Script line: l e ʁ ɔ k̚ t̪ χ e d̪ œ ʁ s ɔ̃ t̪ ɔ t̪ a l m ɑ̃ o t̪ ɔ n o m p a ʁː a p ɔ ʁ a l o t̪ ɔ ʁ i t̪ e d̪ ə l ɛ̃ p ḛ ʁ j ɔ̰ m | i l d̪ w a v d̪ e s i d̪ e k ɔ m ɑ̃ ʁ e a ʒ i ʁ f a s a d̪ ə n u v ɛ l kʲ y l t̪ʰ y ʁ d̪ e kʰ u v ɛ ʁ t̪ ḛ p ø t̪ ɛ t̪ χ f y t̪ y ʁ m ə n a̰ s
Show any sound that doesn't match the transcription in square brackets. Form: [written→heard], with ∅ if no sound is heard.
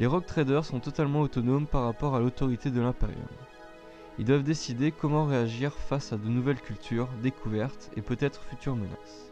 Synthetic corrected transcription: l e ʁ ɔ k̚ t̪ χ e d̪ œ ʁ s ɔ̃ t̪ ɔ t̪ a l m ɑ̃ o t̪ ɔ n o m p a ʁː a p ɔ ʁ a l o t̪ ɔ ʁ i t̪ e d̪ ə l ɛ̃ p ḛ ʁ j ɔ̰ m | i l d̪ w a v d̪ e s i d̪ e k ɔ m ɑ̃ ʁ e a ʒ i ʁ f a s a d̪ ə n u v ɛ l kʲ y l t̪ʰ y ʁ d̪ e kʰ u v ɛ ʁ t̪ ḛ p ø t̪ ɛ t̪ χ f y t̪ y ʁ m ə n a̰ s